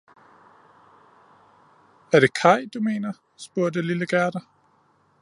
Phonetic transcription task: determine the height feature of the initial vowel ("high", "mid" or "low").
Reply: low